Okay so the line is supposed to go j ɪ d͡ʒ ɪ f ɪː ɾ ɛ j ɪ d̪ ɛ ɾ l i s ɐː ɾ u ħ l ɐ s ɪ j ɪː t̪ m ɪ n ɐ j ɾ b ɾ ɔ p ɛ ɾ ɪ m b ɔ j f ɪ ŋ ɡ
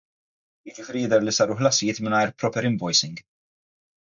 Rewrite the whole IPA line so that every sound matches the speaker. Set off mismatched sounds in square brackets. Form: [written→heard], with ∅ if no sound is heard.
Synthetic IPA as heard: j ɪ d͡ʒ ɪ f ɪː ɾ [ɛ→i] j ɪ d̪ ɛ ɾ l i s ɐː ɾ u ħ l ɐ s ɪ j ɪː t̪ m ɪ n ɐ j ɾ [b→p] ɾ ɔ p ɛ ɾ ɪ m b ɔ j [f→s] ɪ ŋ ɡ

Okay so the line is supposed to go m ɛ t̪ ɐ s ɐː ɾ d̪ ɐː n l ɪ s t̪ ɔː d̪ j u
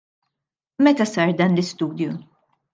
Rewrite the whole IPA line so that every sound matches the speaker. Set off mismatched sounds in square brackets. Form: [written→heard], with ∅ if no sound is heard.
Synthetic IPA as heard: m ɛ t̪ ɐ s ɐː ɾ d̪ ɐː n l ɪ s t̪ [ɔː→uː] d̪ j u

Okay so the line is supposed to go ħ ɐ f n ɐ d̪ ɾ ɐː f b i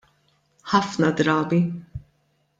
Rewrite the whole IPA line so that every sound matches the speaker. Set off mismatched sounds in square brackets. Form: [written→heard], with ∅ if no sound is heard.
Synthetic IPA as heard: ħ ɐ f n ɐ d̪ ɾ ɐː [f→∅] b i

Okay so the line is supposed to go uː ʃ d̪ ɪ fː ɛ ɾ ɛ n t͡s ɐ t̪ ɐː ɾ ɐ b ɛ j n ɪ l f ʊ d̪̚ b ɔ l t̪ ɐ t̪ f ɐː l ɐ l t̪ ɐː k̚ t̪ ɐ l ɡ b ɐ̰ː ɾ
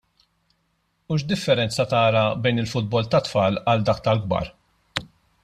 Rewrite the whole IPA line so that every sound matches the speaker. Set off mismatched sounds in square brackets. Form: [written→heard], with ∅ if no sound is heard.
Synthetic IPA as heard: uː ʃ d̪ ɪ fː ɛ ɾ ɛ n t͡s ɐ t̪ ɐː ɾ ɐ b ɛ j n ɪ l f ʊ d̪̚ b ɔ l t̪ ɐ t̪ f ɐː l ɐ l [t̪→d̪] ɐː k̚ t̪ ɐ l ɡ b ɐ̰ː ɾ

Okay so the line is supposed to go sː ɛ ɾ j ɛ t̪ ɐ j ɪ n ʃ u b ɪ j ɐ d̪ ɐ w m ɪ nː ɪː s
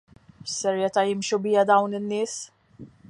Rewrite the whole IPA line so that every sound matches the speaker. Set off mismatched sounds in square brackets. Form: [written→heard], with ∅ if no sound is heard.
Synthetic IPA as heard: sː ɛ ɾ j ɛ t̪ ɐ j ɪ [n→m] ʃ u b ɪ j ɐ d̪ ɐ w [m→n] ɪ nː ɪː s

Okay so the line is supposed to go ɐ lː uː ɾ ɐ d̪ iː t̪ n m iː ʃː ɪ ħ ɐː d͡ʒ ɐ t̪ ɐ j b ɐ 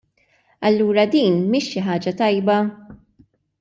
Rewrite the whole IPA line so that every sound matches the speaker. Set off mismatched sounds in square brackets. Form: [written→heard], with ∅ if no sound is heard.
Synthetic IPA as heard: ɐ lː uː ɾ ɐ d̪ iː [t̪→∅] n m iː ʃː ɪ ħ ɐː d͡ʒ ɐ t̪ ɐ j b ɐ

